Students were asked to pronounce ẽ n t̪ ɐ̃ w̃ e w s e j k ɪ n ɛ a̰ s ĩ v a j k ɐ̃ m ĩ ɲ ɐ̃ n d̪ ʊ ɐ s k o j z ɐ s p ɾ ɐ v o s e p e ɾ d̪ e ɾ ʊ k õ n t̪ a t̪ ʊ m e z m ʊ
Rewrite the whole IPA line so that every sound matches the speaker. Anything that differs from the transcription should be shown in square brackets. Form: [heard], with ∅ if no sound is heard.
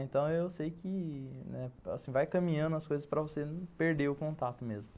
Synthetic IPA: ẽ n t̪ ɐ̃ w̃ e w s e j k ɪ n ɛ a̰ s ĩ v a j k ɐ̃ m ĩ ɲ ɐ̃ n d̪ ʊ ɐ s k o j z ɐ s p ɾ ɐ v o s e p e ɾ d̪ e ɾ ʊ k õ n t̪ a t̪ ʊ m e z m ʊ

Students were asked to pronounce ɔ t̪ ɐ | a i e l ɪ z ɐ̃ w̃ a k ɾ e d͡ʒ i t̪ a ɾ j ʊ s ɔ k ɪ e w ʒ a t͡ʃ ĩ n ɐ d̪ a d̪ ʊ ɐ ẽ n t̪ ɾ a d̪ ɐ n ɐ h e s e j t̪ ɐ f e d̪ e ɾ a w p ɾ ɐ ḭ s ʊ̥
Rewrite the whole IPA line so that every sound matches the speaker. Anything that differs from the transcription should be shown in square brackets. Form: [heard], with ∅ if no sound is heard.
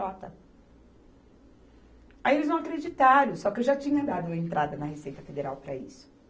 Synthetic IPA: ɔ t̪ ɐ | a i e l ɪ z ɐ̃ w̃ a k ɾ e d͡ʒ i t̪ a ɾ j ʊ s ɔ k ɪ e w ʒ a t͡ʃ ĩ [ɲ] ɐ d̪ a d̪ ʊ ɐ ẽ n t̪ ɾ a d̪ ɐ n ɐ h e s e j t̪ ɐ f e d̪ e ɾ a w p ɾ ɐ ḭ s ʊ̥

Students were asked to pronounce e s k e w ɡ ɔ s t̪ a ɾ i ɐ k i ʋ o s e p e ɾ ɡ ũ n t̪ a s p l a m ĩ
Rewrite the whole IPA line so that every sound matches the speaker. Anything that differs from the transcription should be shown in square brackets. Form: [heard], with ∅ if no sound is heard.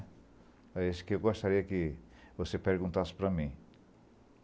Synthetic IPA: e s k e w ɡ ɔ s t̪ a ɾ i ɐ k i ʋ o s e p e ɾ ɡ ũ n t̪ a s p [ɾ] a m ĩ

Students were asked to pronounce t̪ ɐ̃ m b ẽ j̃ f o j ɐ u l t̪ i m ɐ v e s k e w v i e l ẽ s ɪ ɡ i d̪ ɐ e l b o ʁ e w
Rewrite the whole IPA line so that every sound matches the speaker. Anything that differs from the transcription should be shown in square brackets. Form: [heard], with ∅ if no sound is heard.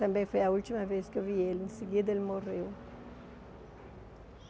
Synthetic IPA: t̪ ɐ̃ m b ẽ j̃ f o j ɐ u l t̪ i m ɐ v e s k e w v i e l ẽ s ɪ ɡ i d̪ ɐ e l [m] o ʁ e w

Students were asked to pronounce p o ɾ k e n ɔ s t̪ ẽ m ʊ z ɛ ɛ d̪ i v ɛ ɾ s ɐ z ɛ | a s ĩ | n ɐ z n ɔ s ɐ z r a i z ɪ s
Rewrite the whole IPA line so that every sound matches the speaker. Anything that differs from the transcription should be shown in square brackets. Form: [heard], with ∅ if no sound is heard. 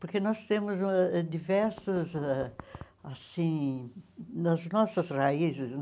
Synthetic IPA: p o ɾ k e n ɔ s t̪ ẽ m ʊ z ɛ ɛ d̪ i v ɛ ɾ s ɐ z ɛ | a s ĩ | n ɐ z n ɔ s ɐ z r a i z ɪ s

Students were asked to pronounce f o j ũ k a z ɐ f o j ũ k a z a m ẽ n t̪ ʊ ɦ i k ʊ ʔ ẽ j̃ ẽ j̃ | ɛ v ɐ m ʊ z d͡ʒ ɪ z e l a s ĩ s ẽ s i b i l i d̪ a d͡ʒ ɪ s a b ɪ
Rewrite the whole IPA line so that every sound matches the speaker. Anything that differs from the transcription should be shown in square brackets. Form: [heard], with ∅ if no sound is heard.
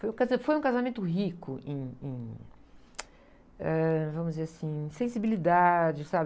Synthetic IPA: f o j ũ k a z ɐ f o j ũ k a z a m ẽ n t̪ ʊ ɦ i k ʊ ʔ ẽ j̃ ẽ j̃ | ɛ v [ɐ̃] m ʊ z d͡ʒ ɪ z e [ɾ] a s ĩ s ẽ s i b i l i d̪ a d͡ʒ ɪ s a b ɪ

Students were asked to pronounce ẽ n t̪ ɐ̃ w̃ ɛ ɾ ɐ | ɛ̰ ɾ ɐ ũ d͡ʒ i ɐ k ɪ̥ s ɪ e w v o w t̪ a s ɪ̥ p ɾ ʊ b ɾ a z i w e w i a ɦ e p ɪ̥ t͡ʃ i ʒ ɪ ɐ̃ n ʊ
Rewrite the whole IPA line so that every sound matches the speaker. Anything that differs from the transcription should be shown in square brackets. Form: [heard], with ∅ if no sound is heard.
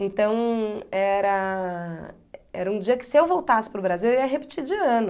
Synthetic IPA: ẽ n t̪ ɐ̃ w̃ ɛ ɾ ɐ | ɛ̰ ɾ ɐ ũ d͡ʒ i ɐ k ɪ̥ s ɪ e w v o w t̪ a s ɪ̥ p ɾ ʊ b ɾ a z i w e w i [ɐ] ɦ e p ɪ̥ t͡ʃ i [d͡ʒ] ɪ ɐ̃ n ʊ

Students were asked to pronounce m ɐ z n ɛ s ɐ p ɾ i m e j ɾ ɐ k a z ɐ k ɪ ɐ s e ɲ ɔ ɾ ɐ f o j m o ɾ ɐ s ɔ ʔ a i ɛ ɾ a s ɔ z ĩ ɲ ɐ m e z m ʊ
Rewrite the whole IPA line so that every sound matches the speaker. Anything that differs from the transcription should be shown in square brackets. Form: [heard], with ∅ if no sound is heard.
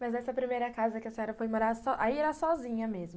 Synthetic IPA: m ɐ z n ɛ s ɐ p ɾ i m e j ɾ ɐ k a z ɐ k ɪ ɐ s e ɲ ɔ ɾ ɐ f o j m o ɾ [a] s ɔ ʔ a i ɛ ɾ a s ɔ z ĩ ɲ ɐ m e z m ʊ

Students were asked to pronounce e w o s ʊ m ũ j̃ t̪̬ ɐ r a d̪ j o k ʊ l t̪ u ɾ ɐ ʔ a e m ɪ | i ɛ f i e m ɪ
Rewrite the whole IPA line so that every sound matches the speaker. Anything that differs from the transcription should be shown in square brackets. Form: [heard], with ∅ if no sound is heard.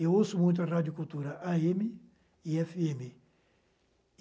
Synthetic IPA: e w o s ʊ m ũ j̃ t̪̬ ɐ r a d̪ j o k [u] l t̪ u ɾ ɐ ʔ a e m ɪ | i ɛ f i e m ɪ

